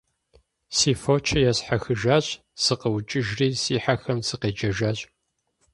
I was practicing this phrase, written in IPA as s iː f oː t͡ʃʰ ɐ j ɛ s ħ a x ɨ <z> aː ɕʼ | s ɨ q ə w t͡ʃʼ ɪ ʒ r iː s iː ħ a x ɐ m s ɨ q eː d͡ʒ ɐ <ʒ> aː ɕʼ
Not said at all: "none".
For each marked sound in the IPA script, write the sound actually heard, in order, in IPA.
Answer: ʒ, ʒ

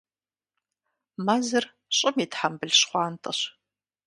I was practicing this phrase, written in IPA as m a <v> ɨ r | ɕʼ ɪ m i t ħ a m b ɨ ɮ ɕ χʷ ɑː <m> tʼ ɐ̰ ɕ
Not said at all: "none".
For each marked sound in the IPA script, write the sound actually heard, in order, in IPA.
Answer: z, n

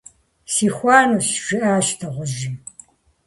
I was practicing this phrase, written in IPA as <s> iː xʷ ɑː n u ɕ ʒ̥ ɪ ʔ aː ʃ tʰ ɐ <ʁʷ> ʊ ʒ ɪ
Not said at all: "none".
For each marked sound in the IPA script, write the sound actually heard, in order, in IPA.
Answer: s, ʁʷ

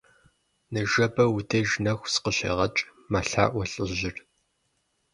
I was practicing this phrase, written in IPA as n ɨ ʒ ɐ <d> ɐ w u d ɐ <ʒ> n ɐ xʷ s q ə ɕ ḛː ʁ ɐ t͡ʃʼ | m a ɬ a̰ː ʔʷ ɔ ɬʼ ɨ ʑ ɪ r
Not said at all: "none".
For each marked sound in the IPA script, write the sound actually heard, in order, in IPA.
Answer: b, ʒ

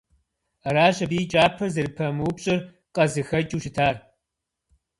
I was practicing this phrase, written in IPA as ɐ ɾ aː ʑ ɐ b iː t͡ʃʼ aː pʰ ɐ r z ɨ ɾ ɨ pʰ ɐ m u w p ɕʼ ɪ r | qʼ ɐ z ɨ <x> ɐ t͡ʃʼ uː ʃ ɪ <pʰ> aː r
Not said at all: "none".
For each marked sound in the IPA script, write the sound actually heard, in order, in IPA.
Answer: x, tʰ

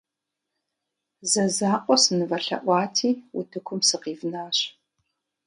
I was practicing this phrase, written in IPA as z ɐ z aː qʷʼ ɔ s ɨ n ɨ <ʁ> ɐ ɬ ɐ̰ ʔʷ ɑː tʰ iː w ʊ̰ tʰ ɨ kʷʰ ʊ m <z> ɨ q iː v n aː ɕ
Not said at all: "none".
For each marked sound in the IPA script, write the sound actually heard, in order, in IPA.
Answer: v, s

